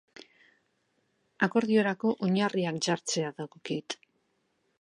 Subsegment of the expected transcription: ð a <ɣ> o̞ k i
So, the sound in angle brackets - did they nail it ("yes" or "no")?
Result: yes